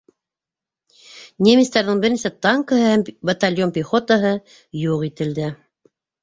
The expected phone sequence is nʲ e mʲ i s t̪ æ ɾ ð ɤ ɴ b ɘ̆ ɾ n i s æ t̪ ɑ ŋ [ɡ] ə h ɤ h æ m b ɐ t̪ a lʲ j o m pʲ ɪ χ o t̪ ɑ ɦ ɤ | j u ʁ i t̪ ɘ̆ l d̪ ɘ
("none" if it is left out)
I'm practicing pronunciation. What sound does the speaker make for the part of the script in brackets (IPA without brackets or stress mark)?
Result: k